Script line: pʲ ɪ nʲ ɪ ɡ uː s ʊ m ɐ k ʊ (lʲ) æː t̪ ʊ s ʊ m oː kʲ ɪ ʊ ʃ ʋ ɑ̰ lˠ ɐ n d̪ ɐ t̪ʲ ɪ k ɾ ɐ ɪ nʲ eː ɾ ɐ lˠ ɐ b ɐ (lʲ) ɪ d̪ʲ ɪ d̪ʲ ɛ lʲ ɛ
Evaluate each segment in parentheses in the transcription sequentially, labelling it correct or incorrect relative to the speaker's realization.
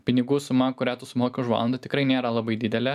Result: incorrect, incorrect

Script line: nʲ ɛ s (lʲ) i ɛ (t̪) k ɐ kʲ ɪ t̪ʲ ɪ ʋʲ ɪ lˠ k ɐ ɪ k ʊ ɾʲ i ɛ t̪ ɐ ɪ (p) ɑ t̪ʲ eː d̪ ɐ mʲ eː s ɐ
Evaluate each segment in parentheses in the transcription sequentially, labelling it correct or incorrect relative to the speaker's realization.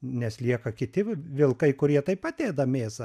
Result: correct, incorrect, correct

